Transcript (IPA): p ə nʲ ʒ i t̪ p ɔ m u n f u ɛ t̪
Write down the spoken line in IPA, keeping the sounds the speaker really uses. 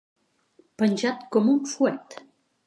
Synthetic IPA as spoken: p ə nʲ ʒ a t̪ k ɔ m u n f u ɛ t̪